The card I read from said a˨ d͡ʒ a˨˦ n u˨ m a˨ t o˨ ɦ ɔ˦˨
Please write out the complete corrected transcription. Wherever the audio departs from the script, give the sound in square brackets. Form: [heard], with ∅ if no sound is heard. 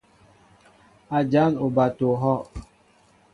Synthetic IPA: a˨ d͡ʒ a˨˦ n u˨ [b] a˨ t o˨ ɦ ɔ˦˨